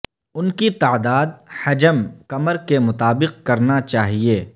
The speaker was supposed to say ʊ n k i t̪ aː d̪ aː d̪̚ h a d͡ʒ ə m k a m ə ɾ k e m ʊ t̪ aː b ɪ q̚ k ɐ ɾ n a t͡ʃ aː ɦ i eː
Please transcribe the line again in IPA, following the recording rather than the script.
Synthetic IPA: ʊ n k i t̪ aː d̪ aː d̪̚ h ɐ d͡ʒ ə m k ɐ m ə ɾ k e m ʊ t̪ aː b ɪ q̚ k ɐ ɾ n a t͡ʃ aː ɦ i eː